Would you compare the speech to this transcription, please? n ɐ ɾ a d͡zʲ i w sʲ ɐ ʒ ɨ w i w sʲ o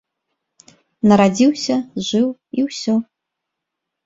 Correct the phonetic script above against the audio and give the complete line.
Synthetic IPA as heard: n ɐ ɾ a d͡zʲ i w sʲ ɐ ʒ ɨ w i w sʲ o